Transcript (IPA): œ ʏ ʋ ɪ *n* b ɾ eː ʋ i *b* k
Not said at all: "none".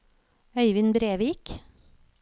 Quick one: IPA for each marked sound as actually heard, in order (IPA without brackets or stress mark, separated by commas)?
n, none